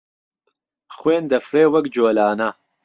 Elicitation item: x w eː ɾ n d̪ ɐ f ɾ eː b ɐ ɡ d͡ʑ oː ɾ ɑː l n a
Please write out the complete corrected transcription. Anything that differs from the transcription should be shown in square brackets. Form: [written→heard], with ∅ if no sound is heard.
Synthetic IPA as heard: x w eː [ɾ→∅] n d̪ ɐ f ɾ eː [b→w] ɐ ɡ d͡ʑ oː [ɾ→l] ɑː [l→∅] n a